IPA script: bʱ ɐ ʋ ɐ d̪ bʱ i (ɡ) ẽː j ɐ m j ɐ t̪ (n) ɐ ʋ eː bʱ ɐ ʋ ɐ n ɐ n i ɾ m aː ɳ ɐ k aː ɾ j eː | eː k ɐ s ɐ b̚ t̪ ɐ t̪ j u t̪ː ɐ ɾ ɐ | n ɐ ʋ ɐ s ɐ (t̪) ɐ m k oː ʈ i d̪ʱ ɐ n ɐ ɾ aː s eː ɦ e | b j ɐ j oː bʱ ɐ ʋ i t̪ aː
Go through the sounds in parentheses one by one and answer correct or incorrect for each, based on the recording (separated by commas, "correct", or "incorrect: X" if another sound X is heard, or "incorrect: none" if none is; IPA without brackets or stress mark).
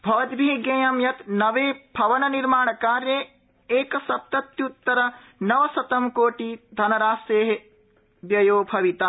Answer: correct, correct, correct